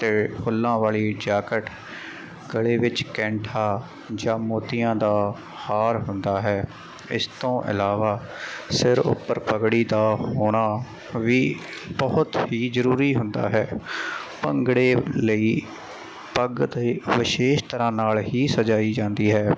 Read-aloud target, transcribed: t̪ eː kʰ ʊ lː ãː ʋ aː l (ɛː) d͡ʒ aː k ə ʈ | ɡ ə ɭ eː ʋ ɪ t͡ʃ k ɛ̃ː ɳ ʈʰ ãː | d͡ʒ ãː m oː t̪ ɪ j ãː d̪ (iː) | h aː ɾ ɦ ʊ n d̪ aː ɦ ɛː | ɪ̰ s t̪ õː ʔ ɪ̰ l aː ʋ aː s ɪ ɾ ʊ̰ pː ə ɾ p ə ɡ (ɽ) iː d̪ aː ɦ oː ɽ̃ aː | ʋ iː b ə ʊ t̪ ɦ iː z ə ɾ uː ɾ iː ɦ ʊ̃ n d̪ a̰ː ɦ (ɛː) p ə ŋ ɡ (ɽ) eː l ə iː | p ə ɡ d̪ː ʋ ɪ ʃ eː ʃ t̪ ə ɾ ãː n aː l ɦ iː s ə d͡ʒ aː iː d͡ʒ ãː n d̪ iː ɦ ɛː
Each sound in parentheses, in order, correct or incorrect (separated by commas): incorrect, incorrect, correct, correct, correct